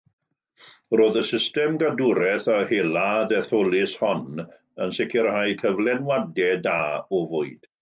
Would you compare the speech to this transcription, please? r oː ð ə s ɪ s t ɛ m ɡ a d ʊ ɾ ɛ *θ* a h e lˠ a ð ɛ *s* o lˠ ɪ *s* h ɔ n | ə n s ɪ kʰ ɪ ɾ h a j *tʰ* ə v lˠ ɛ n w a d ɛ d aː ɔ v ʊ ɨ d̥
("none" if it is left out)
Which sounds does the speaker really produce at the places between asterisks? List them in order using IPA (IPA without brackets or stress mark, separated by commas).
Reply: θ, θ, s, kʰ